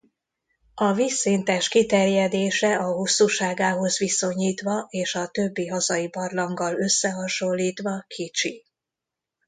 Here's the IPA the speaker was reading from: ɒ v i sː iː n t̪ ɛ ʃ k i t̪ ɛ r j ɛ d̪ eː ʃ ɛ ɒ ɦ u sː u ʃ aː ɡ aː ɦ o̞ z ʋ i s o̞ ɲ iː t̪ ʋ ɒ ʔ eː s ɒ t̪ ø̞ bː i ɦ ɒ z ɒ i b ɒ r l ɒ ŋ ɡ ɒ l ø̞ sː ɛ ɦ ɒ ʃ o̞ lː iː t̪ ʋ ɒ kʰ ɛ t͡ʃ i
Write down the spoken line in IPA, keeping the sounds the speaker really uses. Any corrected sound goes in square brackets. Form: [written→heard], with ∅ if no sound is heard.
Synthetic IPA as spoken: ɒ v i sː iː n t̪ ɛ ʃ k i t̪ ɛ r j ɛ d̪ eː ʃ ɛ ɒ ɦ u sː u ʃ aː ɡ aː ɦ o̞ z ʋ i s o̞ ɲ iː t̪ ʋ ɒ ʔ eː [s→ʃ] ɒ t̪ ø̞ bː i ɦ ɒ z ɒ i b ɒ r l ɒ ŋ ɡ ɒ l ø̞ sː ɛ ɦ ɒ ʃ o̞ lː iː t̪ ʋ ɒ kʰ [ɛ→i] t͡ʃ i